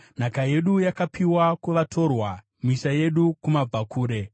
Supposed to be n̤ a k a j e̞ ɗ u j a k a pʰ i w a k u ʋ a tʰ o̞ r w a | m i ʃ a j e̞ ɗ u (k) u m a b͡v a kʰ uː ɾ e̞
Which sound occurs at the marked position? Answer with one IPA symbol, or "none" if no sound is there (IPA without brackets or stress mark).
k